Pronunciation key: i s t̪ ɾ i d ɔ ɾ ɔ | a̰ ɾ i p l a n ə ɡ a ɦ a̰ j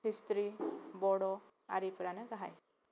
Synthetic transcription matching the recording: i s t̪ ɾ i b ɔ ɽ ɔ | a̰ ɾ i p ɾ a n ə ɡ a ɦ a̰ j